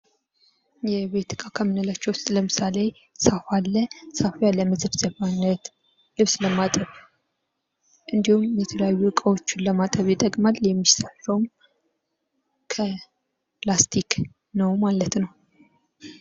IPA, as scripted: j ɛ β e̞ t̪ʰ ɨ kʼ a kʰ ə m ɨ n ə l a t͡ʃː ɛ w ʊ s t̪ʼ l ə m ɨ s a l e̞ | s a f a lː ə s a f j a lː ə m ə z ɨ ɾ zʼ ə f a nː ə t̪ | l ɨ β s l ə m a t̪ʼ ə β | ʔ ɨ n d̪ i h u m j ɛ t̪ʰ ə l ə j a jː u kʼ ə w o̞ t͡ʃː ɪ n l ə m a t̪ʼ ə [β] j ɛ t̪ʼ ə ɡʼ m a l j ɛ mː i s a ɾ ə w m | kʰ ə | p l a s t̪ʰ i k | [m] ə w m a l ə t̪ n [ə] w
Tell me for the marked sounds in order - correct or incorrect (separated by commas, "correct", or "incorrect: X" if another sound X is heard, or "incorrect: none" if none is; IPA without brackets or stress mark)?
correct, incorrect: n, correct